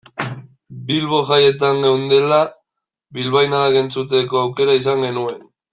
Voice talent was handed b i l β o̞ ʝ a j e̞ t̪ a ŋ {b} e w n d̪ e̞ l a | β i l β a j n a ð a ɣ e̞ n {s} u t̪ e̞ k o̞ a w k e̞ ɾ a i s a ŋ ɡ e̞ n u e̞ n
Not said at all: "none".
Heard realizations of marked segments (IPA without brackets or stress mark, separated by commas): ɡ, t͡s